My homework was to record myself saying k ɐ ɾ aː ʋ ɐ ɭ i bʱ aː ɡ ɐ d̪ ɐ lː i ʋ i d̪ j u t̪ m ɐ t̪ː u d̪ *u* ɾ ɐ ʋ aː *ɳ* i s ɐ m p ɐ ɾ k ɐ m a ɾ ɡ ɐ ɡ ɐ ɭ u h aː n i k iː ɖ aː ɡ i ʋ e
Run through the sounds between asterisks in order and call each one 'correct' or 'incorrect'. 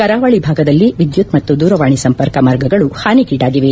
incorrect, correct

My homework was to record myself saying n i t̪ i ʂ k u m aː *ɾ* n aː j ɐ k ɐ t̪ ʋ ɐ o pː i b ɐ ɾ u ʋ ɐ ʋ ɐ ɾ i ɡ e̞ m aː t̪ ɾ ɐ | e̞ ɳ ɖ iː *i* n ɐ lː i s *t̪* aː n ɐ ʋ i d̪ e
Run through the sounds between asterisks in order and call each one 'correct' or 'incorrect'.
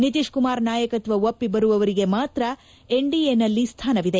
correct, incorrect, incorrect

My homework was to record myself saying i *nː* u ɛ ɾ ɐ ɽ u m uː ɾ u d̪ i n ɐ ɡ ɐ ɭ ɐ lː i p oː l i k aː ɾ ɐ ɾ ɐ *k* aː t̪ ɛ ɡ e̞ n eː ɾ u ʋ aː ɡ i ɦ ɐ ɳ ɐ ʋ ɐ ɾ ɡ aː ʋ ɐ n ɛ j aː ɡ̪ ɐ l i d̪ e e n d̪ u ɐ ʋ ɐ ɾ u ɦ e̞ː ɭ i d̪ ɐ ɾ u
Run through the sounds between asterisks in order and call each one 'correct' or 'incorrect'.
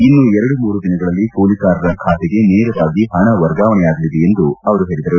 correct, incorrect

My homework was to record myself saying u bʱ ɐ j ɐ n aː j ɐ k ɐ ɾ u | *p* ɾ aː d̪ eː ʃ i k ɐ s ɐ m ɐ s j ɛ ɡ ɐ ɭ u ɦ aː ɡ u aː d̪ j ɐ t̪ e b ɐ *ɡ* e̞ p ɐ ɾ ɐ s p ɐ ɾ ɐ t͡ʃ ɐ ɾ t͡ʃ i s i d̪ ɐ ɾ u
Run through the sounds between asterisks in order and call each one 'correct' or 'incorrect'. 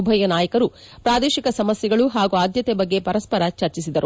correct, incorrect

